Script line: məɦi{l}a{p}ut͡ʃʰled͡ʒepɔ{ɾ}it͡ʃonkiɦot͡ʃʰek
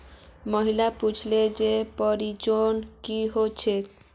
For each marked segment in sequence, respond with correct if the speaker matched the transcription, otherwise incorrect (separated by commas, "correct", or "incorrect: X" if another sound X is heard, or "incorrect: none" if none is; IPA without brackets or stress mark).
correct, correct, correct